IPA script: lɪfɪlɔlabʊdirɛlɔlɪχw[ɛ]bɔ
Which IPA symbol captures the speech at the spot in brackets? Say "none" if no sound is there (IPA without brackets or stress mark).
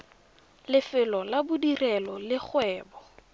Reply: ɛː